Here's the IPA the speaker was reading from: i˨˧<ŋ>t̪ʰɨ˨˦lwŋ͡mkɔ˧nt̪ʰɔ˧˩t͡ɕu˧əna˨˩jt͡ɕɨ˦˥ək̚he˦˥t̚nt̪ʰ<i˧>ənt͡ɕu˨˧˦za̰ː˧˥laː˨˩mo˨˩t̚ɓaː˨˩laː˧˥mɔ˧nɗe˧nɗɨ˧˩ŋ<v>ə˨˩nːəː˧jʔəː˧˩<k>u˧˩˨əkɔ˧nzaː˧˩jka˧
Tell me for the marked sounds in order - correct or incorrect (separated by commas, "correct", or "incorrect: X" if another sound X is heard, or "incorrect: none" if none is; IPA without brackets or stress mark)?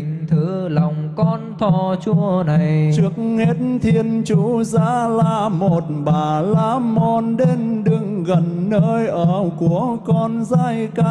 correct, correct, incorrect: ɣ, correct